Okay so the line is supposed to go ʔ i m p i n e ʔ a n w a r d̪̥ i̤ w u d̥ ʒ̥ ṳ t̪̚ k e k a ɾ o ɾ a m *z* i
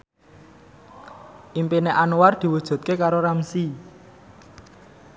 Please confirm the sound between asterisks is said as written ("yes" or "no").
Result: no